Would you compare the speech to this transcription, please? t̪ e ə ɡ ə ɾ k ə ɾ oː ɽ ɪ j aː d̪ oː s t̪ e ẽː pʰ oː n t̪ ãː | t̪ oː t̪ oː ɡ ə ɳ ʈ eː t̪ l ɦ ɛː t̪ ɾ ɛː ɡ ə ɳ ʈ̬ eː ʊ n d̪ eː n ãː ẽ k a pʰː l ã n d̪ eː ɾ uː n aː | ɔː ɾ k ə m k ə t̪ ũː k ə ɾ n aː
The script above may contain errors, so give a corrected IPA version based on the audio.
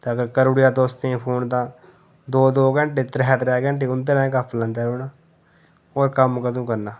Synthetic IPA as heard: t̪ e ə ɡ ə ɾ k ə ɾ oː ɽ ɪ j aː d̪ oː s t̪ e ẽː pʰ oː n t̪ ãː | d̪ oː d̪ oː ɡ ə ɳ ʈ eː t̪ ɾ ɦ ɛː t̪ ɾ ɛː ɡ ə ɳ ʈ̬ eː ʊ n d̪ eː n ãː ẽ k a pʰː l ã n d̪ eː ɾ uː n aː | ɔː ɾ k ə m k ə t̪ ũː k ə ɾ n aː